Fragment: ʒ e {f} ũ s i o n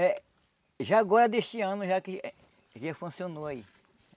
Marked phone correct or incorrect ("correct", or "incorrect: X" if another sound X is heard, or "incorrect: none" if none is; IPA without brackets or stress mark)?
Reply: correct